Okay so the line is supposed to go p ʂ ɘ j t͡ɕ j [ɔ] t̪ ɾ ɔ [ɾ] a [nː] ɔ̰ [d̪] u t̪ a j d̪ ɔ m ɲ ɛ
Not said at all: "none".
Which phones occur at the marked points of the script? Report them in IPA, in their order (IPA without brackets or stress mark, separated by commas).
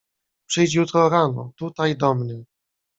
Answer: u, ɾ, n, t̪